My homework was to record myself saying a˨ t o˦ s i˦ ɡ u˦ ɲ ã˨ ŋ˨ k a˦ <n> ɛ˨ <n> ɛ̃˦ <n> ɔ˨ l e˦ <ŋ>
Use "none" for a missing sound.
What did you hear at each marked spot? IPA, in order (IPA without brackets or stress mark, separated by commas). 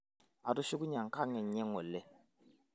ŋ, ɲ, ŋ, none